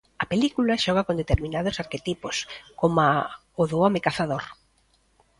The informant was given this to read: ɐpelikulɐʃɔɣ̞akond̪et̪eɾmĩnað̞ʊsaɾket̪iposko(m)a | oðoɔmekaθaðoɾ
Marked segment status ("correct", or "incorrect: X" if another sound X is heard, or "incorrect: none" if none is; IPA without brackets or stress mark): correct